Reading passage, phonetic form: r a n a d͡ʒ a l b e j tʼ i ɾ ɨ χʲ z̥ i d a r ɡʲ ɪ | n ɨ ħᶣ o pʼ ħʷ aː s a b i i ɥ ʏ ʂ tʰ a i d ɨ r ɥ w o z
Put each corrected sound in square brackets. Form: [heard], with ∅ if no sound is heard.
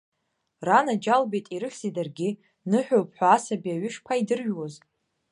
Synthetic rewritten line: r a n a d͡ʒ a l b e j tʼ i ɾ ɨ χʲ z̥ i d a r ɡʲ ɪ | n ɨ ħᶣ o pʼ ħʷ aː s a b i [a] ɥ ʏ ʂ [pʰ] a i d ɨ r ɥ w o z